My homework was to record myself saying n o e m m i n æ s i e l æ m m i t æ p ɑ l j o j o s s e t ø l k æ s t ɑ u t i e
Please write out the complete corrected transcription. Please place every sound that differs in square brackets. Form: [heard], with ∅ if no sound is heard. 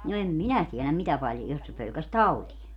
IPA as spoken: n o e m m i n æ [t] i e l æ m m i t æ p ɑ l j o j o s s e [p] ø l k æ s t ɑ u t i e